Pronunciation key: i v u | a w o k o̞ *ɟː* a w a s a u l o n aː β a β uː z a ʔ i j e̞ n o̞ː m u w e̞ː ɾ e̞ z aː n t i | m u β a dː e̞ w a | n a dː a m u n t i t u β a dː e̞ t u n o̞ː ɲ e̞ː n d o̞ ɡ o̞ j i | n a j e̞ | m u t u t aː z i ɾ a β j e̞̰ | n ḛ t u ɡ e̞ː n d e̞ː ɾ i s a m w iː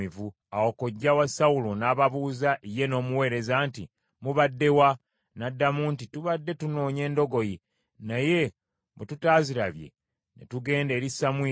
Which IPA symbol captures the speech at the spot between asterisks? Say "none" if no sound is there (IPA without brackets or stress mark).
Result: ɟː